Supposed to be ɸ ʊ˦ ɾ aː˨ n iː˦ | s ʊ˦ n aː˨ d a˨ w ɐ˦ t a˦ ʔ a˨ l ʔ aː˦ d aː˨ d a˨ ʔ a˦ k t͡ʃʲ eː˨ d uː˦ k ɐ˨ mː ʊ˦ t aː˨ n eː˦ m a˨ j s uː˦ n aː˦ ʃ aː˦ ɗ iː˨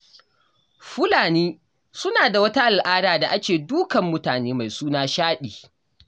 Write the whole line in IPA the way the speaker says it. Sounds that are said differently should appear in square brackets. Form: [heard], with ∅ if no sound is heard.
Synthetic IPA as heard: ɸ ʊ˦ [l] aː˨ n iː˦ | s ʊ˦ n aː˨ d a˨ w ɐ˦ t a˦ ʔ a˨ l ʔ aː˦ d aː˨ d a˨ ʔ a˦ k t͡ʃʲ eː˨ d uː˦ k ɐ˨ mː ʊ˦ t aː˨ n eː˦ m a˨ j s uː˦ n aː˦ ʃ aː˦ ɗ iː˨